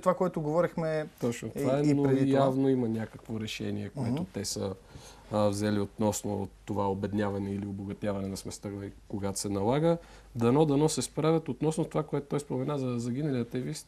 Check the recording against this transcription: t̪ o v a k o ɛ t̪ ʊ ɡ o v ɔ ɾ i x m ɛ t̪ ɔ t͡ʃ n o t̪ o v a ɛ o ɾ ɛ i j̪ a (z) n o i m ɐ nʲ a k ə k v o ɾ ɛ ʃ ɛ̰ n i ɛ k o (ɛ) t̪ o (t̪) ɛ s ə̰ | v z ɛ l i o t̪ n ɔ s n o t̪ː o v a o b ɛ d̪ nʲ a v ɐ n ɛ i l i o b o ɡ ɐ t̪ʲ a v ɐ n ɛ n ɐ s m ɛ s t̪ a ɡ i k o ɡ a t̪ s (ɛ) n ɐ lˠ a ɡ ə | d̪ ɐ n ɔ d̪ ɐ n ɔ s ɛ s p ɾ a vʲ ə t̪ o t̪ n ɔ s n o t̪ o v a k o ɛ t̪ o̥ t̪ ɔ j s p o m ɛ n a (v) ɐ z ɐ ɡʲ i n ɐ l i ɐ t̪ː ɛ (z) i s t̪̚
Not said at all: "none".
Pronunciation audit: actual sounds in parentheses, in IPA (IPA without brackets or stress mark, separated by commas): v, ɛ, t̪, ɛ, z, v